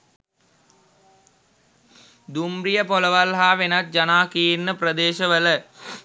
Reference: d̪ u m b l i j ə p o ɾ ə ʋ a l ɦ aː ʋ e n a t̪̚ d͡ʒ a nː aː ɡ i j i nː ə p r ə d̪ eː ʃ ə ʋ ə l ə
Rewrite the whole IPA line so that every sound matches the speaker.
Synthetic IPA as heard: d̪ u m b r i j ə p o l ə ʋ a l ɦ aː ʋ e n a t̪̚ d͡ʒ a n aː k i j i nː ə p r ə d̪ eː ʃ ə ʋ ə l ə